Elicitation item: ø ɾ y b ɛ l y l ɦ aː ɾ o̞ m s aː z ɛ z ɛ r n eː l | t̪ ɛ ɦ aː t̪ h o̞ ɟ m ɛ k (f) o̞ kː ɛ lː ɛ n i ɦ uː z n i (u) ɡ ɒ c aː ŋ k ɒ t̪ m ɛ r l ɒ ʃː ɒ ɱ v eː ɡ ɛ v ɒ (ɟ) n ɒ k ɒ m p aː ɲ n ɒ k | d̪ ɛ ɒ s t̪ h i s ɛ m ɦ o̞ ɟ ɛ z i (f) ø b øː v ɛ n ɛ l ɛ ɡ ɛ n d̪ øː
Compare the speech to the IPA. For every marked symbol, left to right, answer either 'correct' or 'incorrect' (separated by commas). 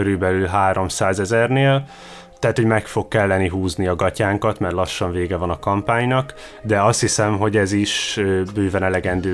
correct, incorrect, incorrect, incorrect